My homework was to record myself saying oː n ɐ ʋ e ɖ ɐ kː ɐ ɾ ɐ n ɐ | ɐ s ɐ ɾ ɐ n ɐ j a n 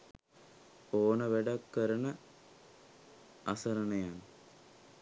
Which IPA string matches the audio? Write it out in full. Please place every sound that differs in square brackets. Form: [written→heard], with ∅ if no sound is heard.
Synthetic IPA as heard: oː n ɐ ʋ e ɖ ɐ kː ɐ ɾ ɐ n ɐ | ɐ s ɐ ɾ ɐ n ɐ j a n